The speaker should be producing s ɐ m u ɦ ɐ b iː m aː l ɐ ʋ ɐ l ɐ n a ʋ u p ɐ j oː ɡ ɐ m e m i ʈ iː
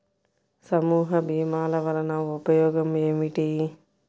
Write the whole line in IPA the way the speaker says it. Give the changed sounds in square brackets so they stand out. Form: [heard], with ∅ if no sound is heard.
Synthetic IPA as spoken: s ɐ m [uː] ɦ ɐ b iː m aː l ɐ ʋ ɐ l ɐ n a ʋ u p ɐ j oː ɡ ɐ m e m i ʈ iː